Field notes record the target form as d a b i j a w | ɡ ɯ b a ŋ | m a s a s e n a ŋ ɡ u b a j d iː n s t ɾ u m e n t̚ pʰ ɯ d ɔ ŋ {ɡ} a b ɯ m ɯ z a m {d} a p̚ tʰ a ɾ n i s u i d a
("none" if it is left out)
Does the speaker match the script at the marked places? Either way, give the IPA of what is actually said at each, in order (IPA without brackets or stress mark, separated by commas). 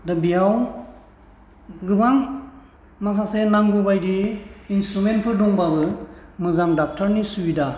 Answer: b, d